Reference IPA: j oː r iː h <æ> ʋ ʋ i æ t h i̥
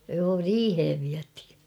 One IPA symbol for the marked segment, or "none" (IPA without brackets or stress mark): e